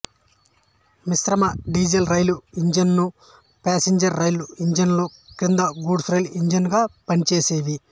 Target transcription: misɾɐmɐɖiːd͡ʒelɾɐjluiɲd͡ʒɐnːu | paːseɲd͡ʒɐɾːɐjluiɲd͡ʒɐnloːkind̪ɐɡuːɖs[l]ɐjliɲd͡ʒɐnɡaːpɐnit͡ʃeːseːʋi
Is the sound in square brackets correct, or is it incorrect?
incorrect